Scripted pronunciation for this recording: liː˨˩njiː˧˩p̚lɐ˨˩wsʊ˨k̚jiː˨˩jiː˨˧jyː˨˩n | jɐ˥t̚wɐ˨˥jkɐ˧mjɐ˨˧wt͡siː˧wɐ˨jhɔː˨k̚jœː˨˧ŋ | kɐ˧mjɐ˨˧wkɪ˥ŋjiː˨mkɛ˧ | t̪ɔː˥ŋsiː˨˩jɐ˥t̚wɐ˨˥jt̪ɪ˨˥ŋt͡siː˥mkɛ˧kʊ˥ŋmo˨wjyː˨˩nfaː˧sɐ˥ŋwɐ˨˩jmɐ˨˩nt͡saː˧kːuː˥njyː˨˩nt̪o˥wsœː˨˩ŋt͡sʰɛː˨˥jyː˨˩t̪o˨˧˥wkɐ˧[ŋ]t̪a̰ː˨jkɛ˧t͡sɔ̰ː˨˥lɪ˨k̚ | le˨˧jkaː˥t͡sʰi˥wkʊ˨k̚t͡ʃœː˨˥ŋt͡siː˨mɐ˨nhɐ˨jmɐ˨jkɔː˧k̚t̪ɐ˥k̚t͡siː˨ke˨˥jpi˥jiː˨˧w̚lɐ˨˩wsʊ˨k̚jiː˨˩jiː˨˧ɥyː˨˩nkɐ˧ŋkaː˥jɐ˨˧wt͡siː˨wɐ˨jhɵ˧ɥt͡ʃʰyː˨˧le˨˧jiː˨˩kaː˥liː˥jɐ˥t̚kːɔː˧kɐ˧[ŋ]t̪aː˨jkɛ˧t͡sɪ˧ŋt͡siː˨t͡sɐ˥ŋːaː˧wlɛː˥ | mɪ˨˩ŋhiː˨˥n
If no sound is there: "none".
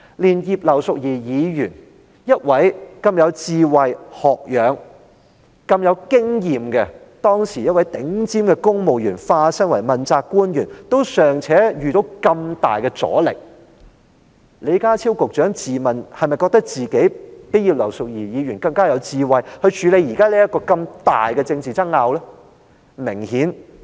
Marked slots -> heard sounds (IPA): m, m

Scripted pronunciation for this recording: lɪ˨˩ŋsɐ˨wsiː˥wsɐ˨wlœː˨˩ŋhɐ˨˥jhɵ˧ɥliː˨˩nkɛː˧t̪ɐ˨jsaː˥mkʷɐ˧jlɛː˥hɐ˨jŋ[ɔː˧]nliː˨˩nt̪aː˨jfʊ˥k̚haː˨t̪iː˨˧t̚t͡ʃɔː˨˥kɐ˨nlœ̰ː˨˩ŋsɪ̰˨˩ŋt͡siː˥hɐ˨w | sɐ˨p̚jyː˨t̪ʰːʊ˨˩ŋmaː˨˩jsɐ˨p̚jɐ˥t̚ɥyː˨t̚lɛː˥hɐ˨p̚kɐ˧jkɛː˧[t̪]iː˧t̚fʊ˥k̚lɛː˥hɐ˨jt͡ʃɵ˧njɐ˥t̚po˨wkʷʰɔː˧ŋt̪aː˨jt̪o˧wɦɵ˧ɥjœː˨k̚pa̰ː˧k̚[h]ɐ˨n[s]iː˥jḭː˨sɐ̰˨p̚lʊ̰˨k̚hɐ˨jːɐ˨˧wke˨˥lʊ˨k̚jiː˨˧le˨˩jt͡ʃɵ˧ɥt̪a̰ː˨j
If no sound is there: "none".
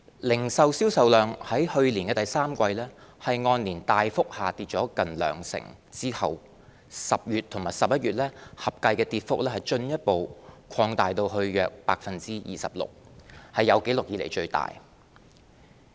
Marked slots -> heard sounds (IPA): ɔː˧, t̪, f, t͡s

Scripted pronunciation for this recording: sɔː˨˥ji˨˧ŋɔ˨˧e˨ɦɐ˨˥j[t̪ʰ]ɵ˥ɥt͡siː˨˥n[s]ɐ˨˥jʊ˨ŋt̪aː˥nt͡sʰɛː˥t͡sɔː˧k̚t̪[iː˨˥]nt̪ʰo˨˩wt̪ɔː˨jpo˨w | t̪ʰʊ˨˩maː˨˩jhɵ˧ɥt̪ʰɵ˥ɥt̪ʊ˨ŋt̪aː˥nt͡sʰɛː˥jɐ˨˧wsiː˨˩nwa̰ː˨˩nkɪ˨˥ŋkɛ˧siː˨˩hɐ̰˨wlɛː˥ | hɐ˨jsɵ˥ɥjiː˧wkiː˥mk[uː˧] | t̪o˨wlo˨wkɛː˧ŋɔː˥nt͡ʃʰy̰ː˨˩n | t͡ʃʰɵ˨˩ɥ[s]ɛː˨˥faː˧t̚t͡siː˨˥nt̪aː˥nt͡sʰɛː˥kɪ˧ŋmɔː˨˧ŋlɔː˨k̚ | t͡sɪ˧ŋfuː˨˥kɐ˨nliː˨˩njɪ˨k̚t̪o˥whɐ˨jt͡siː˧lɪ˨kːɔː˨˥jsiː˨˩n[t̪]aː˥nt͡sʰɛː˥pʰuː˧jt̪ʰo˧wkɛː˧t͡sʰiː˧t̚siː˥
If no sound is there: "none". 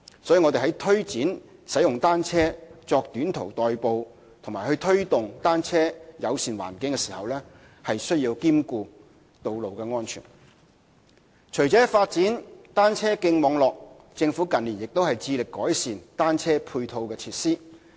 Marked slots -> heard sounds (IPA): t̪ʰ, s, yː˨˥, uː˧, t͡s, t̪

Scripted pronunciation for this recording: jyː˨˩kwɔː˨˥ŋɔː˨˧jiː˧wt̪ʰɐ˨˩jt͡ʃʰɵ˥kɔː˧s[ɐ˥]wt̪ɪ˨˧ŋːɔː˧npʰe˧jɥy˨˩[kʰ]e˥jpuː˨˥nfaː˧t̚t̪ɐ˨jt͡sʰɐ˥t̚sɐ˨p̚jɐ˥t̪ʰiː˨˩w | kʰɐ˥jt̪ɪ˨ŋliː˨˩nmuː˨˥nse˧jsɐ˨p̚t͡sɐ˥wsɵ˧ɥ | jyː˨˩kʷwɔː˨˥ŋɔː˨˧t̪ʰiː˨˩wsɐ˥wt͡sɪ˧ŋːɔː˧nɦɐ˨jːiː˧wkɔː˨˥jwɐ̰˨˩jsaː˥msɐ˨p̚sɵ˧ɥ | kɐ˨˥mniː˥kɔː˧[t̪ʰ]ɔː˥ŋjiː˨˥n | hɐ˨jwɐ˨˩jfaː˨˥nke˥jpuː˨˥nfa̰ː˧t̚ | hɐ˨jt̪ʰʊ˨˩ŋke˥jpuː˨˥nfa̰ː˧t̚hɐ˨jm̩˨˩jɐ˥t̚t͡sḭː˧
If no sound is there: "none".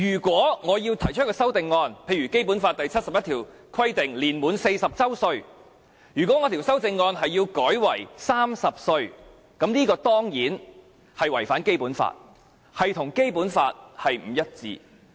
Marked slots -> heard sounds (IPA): ɐ˥, k, t̪

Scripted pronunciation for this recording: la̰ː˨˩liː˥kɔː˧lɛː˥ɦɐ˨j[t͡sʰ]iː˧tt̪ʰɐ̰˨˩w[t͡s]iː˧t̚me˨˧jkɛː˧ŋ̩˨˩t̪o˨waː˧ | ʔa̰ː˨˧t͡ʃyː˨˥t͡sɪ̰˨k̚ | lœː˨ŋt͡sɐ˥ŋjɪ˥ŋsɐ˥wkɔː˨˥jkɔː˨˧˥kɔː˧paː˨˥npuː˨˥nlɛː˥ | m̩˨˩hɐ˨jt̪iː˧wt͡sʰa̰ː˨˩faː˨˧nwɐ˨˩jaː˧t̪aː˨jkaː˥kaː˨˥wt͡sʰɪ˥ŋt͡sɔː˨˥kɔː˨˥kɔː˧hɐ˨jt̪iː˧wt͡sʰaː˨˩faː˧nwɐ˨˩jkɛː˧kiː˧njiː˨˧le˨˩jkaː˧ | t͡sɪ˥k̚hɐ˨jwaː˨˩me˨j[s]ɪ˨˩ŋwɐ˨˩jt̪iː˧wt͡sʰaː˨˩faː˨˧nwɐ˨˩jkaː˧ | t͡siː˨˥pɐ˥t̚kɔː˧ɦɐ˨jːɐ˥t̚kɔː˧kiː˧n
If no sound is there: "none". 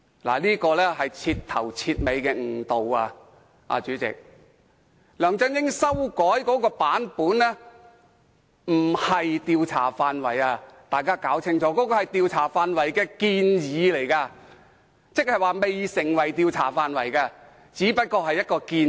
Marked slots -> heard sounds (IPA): t͡sʰ, t͡sʰ, s

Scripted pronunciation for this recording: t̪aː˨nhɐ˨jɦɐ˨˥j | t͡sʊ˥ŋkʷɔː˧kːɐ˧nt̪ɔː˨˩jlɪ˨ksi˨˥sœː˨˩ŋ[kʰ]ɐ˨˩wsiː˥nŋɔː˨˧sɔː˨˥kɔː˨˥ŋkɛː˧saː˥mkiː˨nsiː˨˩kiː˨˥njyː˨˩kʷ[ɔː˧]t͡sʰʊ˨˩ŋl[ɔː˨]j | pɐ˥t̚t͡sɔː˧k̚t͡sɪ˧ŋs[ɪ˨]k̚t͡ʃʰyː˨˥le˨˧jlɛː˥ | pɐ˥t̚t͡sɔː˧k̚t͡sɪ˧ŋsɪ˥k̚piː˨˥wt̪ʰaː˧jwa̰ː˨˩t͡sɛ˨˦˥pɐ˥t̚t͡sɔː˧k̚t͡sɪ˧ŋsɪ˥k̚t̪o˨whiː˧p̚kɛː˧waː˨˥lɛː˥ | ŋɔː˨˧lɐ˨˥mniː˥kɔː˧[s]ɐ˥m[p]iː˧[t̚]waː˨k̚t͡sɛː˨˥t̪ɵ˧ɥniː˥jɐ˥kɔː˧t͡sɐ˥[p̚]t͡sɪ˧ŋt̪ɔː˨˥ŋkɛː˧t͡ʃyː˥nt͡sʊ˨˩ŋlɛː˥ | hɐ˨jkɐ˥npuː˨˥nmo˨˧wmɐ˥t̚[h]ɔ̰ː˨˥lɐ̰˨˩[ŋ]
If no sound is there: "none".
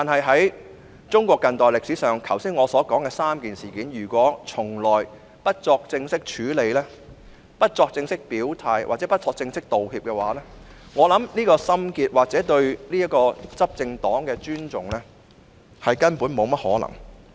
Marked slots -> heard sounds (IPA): kʰ, ɔː˨˥, ɔː˨, ɪ˥, s, k, t̚, p̚, h, ŋ

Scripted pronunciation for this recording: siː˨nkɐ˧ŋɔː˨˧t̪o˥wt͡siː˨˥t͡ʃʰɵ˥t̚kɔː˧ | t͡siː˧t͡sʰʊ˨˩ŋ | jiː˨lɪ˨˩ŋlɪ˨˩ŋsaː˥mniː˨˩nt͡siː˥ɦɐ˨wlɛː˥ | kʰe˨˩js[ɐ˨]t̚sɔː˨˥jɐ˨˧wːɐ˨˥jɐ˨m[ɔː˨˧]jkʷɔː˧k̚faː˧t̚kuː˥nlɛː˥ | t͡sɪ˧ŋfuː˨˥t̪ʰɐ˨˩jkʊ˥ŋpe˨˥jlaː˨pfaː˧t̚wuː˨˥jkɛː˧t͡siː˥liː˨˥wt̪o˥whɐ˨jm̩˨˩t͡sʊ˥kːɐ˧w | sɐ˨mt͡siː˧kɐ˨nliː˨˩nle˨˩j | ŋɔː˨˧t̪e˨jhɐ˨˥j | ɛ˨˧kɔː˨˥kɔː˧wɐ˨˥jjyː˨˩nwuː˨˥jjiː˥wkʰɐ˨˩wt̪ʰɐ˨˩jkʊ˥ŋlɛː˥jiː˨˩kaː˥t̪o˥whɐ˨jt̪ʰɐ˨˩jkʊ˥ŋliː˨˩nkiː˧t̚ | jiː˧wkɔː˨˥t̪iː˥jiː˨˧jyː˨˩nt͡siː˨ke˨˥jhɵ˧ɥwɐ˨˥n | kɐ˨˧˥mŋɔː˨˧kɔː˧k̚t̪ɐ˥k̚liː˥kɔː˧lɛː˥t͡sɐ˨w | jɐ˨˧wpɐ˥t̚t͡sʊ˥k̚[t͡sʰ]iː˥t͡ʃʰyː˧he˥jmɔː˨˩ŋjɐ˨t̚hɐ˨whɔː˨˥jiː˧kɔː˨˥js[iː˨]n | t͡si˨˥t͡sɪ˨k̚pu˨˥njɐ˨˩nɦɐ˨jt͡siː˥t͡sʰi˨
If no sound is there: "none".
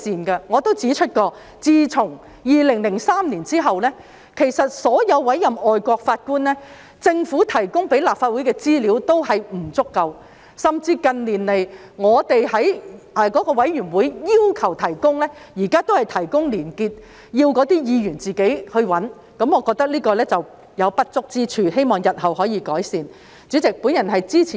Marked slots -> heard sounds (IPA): ɐ˨, ɔː˨˧, t͡s, iː˨

